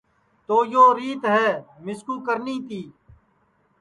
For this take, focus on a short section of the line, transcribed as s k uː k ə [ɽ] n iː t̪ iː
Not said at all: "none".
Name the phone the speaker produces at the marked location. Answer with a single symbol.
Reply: ɾ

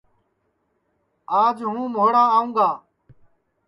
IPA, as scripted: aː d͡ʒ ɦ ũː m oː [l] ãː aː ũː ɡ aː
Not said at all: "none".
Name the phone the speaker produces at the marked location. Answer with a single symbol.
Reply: ɽ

